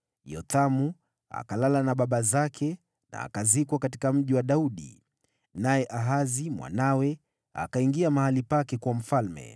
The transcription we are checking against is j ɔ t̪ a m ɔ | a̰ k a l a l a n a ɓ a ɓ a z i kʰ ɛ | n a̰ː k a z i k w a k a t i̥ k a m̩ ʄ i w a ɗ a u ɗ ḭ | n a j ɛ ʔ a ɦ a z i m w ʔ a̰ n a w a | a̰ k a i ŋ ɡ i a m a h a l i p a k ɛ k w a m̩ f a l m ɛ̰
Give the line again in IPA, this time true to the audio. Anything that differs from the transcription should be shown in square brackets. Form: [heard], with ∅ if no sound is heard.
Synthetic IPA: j ɔ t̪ a m [u] | a̰ k a l a l a n a ɓ a ɓ a z [a] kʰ ɛ | n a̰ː k a z i k w a k a t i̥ k a m̩ ʄ i w a ɗ a u ɗ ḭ | n a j ɛ ʔ a ɦ a z i m w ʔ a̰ n a w [ɛ] | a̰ k a i ŋ ɡ i a m a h a l i p a k ɛ k w a m̩ f a l m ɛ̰